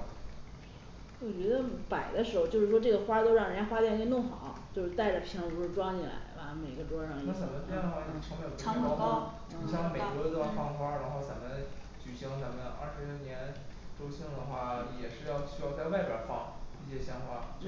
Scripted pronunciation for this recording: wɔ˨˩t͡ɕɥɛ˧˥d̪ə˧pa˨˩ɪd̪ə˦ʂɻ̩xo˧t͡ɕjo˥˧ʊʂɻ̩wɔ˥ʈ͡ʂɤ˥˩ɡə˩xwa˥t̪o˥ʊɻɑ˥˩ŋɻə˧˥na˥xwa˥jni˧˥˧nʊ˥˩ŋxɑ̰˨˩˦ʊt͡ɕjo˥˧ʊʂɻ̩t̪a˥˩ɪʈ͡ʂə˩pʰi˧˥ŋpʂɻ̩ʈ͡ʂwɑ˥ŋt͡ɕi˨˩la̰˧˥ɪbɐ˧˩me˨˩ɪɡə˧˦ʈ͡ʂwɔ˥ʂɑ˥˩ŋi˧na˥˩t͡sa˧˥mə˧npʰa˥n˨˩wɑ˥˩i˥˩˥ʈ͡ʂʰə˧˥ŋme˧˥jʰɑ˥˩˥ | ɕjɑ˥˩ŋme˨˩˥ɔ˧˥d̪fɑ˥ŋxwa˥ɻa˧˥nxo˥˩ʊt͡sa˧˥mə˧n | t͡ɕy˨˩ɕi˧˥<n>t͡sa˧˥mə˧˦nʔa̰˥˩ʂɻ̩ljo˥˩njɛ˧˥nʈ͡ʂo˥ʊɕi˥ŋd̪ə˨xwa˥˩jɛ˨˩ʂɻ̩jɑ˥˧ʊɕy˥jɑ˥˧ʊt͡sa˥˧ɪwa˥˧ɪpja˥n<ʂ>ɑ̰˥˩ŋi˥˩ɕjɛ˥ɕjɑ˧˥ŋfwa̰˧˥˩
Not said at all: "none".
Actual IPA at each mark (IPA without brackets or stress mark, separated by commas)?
ŋ, f